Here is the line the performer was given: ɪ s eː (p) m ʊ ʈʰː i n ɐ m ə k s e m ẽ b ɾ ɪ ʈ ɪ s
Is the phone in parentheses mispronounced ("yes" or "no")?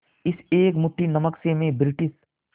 yes